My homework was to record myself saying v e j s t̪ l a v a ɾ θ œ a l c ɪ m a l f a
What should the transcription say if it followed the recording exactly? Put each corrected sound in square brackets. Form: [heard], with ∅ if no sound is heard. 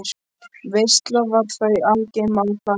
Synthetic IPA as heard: v e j s t̪ l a v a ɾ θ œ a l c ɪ m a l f a